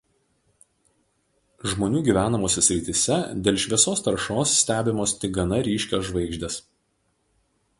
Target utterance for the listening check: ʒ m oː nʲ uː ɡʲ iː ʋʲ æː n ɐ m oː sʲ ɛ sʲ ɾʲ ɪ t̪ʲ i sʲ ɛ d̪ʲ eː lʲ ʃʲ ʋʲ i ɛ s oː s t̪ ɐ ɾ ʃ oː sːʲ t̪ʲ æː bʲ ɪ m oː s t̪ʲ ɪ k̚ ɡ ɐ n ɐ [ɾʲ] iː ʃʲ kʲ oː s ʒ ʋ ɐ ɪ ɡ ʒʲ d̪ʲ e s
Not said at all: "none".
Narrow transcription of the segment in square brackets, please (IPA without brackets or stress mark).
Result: ɾʲ